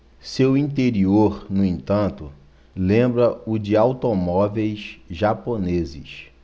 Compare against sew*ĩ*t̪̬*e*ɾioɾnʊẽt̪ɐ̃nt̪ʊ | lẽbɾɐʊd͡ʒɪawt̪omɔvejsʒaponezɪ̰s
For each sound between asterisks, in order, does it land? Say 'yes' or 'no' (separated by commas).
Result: yes, yes